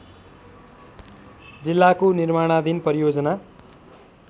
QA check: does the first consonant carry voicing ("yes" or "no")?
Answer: yes